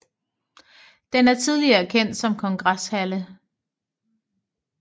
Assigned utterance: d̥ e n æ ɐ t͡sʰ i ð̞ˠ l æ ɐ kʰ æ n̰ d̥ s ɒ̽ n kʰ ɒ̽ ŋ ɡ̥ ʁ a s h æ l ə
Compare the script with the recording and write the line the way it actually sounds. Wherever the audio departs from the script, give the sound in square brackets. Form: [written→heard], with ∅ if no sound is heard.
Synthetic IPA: d̥ e n æ ɐ t͡sʰ i ð̞ˠ l [æ→i] ɐ kʰ [æ→e] n̰ d̥ s ɒ̽ [n→m] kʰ ɒ̽ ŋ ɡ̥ ʁ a s h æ l ə